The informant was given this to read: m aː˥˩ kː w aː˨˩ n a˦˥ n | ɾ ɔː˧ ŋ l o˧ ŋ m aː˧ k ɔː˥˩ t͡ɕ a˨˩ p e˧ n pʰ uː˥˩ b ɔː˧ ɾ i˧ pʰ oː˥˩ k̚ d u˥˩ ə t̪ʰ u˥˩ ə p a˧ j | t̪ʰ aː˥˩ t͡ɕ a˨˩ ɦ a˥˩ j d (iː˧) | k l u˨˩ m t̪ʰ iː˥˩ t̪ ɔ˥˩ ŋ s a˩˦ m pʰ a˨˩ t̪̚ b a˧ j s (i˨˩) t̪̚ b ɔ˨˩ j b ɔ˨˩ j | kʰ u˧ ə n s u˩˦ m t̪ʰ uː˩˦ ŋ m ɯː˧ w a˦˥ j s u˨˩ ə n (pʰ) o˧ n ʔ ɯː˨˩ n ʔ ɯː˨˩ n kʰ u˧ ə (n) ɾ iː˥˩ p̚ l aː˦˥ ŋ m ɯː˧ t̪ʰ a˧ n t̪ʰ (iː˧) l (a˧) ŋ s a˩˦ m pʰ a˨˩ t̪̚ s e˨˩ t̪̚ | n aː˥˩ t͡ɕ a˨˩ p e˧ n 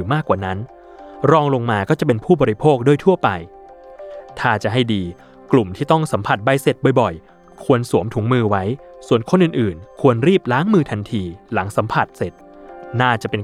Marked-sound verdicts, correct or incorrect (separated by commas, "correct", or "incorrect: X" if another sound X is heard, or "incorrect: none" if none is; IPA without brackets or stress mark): correct, incorrect: e˨˩, incorrect: kʰ, correct, correct, incorrect: a˩˦